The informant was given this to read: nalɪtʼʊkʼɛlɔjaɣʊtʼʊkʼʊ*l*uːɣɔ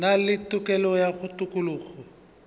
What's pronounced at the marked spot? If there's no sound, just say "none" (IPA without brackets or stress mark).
l